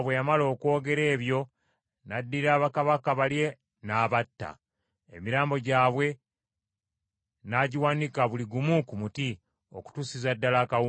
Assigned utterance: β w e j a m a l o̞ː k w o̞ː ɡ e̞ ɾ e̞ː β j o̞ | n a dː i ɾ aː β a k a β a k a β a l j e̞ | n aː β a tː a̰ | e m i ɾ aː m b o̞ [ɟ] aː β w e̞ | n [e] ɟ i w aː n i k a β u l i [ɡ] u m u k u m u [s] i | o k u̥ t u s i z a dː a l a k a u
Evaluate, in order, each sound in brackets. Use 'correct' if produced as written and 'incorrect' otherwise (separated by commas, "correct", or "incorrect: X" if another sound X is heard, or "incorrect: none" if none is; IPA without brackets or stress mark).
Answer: correct, incorrect: a, correct, incorrect: t